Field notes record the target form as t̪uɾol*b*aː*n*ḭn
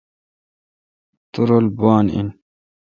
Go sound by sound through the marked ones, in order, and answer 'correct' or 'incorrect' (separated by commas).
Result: correct, correct